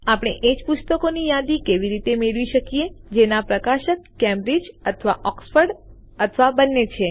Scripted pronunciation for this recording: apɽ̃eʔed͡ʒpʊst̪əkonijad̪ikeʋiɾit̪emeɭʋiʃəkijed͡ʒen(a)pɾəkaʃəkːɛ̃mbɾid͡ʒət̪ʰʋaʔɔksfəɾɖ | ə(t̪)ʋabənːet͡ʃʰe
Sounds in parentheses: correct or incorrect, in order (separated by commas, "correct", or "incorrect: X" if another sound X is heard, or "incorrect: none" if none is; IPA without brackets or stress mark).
correct, incorrect: t̪ʰ